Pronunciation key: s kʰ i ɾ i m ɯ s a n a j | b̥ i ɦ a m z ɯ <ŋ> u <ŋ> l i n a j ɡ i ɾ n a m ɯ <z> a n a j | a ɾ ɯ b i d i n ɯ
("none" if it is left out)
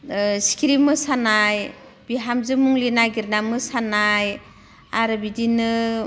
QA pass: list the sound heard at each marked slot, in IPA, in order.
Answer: m, ŋ, s

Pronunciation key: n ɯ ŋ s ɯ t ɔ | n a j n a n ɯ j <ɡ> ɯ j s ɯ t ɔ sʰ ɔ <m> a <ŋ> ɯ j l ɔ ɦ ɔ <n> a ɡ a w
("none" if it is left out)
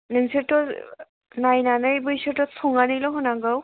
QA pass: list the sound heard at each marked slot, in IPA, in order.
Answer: b, ŋ, n, n

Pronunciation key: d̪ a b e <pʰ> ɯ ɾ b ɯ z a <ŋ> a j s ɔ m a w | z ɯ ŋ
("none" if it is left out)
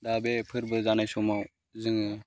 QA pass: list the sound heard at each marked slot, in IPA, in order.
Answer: pʰ, n

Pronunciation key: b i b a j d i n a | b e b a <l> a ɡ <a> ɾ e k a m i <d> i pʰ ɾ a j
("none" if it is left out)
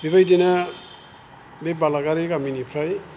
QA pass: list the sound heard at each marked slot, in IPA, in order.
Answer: l, a, n

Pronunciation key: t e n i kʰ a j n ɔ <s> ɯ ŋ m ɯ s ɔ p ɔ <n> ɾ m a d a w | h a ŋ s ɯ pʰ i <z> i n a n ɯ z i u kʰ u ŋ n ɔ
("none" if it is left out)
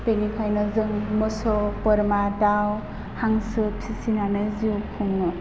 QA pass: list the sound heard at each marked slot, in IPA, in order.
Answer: z, none, s

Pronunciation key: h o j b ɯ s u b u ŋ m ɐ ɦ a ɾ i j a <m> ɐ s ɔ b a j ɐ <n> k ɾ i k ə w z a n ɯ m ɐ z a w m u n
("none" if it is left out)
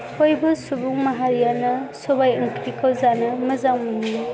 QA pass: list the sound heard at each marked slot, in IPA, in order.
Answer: n, ŋ

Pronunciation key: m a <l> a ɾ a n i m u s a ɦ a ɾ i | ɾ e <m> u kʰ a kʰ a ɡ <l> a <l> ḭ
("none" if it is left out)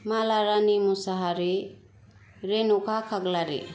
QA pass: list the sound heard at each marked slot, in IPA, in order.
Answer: l, n, l, ɾ

